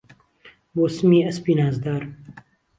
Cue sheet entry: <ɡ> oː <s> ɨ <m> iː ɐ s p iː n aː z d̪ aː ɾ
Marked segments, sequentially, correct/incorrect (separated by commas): incorrect, correct, correct